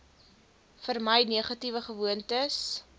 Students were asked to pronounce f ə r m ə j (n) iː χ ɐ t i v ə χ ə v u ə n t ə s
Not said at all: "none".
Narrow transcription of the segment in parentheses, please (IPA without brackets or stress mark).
n